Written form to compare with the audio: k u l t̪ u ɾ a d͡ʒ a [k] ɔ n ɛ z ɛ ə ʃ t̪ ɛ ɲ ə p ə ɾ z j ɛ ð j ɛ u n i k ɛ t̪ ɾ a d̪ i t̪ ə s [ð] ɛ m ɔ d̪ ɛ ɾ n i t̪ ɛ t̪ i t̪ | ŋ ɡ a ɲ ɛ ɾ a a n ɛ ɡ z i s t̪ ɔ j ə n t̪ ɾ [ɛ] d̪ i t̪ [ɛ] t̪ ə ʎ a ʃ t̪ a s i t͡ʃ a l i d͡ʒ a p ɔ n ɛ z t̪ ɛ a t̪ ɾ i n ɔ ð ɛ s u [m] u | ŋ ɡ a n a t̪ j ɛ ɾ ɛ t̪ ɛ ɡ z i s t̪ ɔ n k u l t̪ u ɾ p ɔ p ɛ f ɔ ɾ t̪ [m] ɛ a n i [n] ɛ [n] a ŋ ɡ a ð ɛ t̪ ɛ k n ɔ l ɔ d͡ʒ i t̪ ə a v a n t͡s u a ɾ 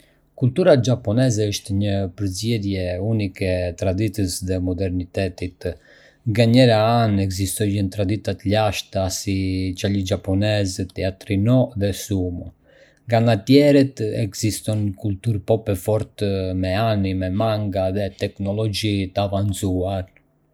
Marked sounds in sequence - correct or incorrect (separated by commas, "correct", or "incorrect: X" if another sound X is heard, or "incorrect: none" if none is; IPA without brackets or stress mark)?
incorrect: p, correct, incorrect: a, incorrect: a, correct, correct, incorrect: m, incorrect: m